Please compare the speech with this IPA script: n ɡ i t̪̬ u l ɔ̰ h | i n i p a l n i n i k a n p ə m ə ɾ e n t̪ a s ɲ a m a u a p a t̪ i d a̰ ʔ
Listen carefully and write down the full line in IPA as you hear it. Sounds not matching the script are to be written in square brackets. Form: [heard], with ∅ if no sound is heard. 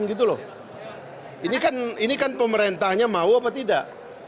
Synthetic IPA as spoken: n ɡ i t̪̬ u l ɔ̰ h | i n i [k] a [∅] n i n i k a n p ə m ə ɾ e n t̪ a [h] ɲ a m a u a p a t̪ i d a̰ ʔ